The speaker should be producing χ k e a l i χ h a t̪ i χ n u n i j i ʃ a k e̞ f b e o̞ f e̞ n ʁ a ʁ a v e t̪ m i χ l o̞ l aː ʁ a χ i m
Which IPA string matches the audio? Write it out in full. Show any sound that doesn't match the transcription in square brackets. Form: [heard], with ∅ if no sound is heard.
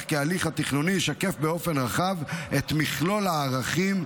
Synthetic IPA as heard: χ k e a l i χ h a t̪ i χ n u n i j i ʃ a k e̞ f b e o̞ f e̞ n ʁ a [χ] a v e t̪ m i χ l o̞ l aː ʁ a χ i m